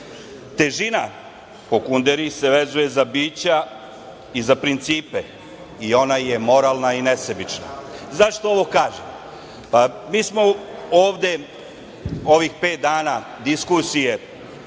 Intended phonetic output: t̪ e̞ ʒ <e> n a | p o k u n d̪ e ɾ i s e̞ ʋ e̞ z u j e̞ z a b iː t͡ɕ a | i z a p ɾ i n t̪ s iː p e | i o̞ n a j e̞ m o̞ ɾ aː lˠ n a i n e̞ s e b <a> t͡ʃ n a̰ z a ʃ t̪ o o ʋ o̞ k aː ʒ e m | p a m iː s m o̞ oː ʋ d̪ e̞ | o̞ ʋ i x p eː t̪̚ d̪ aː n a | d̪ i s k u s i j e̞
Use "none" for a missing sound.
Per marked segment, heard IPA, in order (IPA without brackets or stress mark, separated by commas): i, i